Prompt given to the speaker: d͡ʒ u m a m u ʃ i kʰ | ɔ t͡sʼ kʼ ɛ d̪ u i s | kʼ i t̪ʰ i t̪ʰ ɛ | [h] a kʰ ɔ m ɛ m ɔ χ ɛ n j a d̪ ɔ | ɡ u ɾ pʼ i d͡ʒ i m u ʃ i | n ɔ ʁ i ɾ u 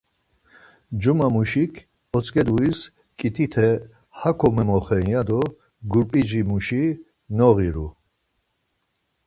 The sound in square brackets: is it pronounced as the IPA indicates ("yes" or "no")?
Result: yes